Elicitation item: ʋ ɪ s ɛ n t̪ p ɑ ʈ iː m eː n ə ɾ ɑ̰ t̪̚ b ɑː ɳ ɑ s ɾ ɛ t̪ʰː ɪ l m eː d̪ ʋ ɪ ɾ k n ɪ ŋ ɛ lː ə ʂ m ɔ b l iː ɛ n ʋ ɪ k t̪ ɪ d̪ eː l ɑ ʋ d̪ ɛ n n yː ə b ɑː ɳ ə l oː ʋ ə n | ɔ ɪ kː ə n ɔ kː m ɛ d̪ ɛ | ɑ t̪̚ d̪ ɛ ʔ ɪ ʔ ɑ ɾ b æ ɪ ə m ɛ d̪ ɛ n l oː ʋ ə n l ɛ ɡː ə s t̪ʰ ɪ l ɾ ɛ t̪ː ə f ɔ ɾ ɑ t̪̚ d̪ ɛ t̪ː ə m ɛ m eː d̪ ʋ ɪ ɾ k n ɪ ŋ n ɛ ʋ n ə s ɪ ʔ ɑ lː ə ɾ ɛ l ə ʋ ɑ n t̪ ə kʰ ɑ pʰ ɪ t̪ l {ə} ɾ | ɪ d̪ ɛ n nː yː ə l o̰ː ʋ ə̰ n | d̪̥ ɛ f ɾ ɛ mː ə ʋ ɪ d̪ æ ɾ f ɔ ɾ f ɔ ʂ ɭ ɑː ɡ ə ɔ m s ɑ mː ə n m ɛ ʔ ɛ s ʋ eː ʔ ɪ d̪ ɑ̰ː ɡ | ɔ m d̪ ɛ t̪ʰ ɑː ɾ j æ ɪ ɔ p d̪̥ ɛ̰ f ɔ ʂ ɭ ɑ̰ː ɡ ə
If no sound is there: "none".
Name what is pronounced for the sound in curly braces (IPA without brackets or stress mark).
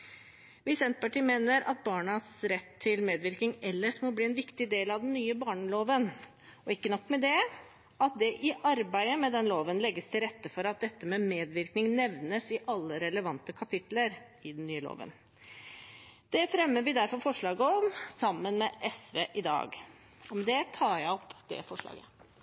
ə